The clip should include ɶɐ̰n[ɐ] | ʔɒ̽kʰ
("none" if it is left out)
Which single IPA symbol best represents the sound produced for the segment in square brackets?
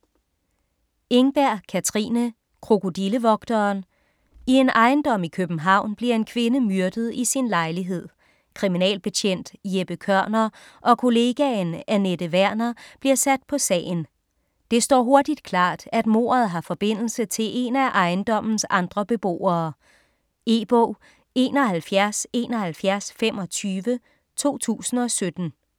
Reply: ɐ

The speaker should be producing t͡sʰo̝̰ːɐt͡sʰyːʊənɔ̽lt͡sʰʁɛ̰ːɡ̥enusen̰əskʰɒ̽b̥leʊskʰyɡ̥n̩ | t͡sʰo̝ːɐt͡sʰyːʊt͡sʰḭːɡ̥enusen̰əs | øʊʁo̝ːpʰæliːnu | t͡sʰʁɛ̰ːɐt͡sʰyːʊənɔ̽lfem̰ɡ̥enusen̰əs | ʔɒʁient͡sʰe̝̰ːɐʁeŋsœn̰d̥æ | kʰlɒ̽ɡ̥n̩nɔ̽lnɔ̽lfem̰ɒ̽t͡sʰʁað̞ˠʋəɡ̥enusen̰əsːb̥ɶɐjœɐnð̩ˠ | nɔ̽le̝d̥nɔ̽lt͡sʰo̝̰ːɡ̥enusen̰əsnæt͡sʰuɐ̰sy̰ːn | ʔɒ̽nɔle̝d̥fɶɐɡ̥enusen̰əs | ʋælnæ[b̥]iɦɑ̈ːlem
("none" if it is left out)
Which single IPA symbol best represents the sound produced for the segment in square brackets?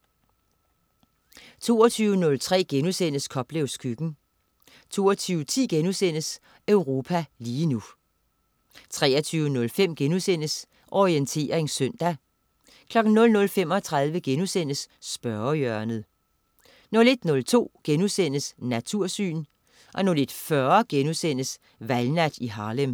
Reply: d̥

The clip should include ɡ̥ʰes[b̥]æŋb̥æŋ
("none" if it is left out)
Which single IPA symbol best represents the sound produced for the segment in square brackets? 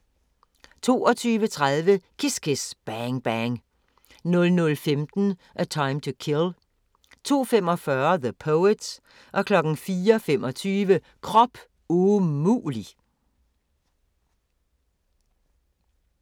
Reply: b̥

